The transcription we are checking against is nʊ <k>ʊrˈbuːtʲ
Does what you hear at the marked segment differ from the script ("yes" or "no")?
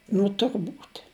yes